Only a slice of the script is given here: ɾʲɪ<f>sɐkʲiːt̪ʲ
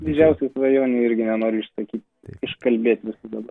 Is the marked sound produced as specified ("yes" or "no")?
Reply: no